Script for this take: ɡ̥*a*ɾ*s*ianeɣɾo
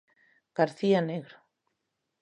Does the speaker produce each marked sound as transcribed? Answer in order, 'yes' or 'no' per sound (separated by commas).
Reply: yes, no